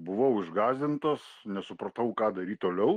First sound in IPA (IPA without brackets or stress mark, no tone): b